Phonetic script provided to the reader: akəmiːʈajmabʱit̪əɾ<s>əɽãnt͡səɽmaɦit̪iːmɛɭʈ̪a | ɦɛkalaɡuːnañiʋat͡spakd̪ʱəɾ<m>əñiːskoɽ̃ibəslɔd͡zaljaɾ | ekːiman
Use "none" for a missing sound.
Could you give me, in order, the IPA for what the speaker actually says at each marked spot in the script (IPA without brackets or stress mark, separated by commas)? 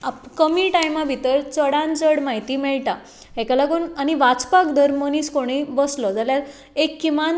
t͡s, m